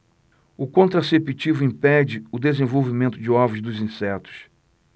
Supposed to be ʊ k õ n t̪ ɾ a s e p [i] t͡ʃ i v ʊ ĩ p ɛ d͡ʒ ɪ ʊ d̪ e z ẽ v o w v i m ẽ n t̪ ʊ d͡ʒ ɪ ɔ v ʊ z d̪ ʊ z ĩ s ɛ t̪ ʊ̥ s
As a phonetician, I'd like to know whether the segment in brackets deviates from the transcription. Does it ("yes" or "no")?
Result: no